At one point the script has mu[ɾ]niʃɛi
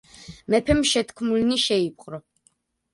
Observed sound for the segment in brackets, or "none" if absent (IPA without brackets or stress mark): l